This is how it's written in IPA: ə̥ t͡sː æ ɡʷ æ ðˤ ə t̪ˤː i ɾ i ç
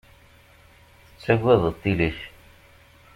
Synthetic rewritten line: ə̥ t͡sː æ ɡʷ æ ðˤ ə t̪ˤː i l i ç